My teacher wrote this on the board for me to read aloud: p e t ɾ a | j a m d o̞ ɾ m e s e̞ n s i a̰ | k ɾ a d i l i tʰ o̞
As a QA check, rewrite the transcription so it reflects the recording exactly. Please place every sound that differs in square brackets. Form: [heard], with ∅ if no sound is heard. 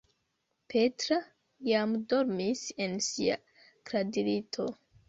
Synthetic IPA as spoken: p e t ɾ a | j a m d o̞ ɾ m [i] s e̞ n s i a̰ | k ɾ a d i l i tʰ o̞